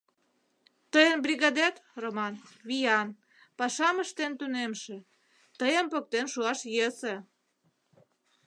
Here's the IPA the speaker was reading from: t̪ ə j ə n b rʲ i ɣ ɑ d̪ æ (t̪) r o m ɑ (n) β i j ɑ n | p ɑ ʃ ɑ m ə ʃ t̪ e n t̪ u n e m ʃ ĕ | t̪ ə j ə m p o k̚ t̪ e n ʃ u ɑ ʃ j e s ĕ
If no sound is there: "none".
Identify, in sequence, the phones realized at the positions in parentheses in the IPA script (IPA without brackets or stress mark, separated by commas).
t̪, n